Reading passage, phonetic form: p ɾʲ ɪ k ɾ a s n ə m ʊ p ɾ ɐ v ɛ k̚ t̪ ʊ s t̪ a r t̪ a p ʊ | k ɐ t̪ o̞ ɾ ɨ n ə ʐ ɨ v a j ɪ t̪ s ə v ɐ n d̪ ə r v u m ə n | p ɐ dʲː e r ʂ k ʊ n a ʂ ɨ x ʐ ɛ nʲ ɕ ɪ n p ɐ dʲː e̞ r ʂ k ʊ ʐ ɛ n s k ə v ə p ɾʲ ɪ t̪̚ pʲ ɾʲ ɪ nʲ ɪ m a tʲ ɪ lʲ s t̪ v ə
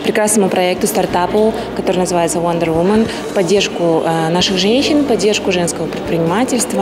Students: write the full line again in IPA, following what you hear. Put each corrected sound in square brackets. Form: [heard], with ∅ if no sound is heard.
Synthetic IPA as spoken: p ɾʲ ɪ k ɾ a s n ə m ʊ p ɾ ɐ [∅] ɛ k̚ t̪ ʊ s t̪ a r t̪ a p ʊ | k ɐ t̪ o̞ ɾ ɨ n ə [z] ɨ v a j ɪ t̪ s ə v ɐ n d̪ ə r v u m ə n | p ɐ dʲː e r ʂ k ʊ n a ʂ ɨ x ʐ ɛ nʲ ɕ ɪ n p ɐ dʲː e̞ r ʂ k ʊ ʐ ɛ n s k ə v ə p ɾʲ ɪ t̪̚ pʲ ɾʲ ɪ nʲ ɪ m a tʲ ɪ lʲ s t̪ v ə

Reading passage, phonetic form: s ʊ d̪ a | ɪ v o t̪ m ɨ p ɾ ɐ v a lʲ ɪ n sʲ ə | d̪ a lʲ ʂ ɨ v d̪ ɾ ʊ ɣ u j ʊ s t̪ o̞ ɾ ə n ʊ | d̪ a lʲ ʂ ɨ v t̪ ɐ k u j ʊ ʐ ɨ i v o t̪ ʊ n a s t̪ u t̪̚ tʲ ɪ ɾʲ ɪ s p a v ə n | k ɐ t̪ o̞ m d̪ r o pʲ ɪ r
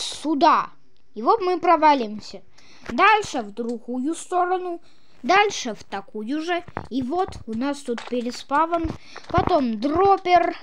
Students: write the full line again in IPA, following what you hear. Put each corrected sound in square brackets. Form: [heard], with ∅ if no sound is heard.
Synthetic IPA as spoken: s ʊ d̪ a | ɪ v o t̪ m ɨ p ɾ ɐ v a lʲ ɪ [m] sʲ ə | d̪ a lʲ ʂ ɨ v d̪ ɾ ʊ ɣ u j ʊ s t̪ o̞ ɾ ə n ʊ | d̪ a lʲ ʂ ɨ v t̪ ɐ k u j ʊ ʐ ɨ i v o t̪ ʊ n a s t̪ u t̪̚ [pʲ] ɪ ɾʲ ɪ s p a v ə n | [p] ɐ t̪ o̞ m d̪ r o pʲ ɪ r

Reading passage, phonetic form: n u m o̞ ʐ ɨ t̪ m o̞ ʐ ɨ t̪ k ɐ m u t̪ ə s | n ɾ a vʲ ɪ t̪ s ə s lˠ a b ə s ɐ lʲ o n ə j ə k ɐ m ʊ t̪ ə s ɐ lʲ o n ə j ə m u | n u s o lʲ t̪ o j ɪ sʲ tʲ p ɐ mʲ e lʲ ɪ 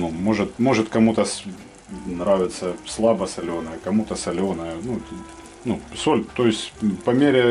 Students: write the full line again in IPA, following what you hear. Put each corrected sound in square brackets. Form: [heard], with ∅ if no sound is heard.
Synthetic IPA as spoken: n u m o̞ ʐ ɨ t̪ m o̞ ʐ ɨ t̪ k ɐ m u t̪ ə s | n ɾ a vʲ ɪ t̪ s ə s lˠ a b ə s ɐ lʲ o n ə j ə k ɐ m [u] t̪ ə s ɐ lʲ o n ə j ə [n] u | n u s o lʲ t̪ o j ɪ sʲ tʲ p ɐ mʲ e [ɾʲ] ɪ

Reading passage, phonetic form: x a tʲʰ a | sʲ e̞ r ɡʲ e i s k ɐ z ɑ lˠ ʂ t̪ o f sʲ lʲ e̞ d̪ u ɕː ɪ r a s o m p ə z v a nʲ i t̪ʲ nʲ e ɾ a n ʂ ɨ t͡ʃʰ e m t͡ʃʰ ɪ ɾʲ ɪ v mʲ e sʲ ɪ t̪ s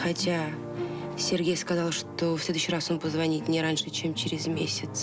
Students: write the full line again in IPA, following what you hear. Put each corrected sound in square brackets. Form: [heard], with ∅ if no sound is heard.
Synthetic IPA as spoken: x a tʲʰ a | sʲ e̞ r ɡʲ e [j] s k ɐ z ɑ lˠ ʂ t̪ o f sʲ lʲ e̞ d̪ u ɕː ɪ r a s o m p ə z v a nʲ i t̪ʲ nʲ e ɾ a n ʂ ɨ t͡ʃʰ e m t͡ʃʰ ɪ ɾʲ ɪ [z] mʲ e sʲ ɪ t̪ s

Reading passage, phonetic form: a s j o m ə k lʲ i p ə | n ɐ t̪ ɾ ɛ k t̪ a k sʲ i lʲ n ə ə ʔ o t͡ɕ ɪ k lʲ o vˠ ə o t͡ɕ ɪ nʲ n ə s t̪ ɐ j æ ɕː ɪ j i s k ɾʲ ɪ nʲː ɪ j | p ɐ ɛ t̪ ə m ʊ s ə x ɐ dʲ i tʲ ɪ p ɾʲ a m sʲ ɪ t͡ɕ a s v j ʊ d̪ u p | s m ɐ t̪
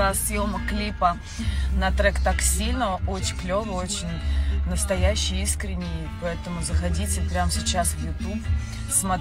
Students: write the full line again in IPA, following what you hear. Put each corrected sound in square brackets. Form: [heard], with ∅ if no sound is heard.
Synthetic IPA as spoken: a s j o m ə k lʲ i p ə | n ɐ t̪ ɾ ɛ k t̪ a k sʲ i lʲ n ə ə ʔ o t͡ɕ ɪ k lʲ o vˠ ə o t͡ɕ ɪ nʲ n ə s t̪ ɐ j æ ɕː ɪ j i s k ɾʲ ɪ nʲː ɪ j | p ɐ ɛ t̪ ə m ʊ [z] ə x ɐ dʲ i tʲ ɪ p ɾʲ a m sʲ ɪ t͡ɕ a s v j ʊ [t̪] u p | s m ɐ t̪

